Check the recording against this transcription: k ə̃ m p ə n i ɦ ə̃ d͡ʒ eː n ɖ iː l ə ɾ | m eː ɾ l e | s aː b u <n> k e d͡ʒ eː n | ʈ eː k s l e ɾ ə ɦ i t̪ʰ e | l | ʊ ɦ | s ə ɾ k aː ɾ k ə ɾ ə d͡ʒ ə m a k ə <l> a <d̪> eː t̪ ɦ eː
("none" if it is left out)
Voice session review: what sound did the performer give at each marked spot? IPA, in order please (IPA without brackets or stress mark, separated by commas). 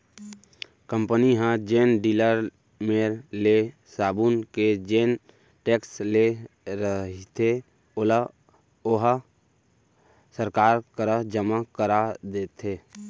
n, ɾ, d̪